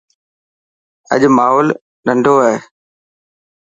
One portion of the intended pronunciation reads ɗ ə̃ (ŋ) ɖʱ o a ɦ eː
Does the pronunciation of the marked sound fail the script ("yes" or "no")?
yes